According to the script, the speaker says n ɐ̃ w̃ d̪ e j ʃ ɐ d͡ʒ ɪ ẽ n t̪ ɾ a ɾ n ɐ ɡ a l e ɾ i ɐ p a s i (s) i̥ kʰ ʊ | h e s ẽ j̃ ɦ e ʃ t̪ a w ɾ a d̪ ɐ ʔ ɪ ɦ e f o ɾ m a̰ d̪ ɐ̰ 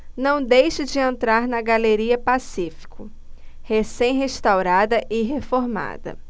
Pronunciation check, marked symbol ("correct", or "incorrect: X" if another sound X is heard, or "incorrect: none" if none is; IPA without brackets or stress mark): incorrect: f